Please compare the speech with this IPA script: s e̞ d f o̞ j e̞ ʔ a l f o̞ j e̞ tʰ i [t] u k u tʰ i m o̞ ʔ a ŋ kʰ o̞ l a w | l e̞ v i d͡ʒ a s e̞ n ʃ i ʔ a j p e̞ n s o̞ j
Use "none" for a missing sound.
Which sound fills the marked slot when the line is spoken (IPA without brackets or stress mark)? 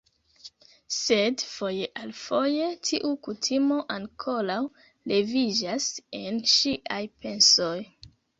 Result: ʔ